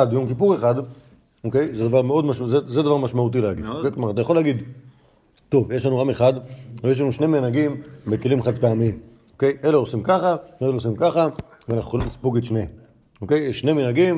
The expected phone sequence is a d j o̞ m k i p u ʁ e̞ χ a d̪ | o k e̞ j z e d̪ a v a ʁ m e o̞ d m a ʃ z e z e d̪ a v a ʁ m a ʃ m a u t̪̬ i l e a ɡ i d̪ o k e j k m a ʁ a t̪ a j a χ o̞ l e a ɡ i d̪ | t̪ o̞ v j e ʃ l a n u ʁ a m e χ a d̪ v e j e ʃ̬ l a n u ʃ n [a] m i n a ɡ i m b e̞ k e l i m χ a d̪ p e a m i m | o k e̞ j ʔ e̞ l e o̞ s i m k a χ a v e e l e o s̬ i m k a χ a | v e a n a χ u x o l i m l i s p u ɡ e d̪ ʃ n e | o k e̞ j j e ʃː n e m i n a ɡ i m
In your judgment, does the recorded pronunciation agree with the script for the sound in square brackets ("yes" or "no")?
no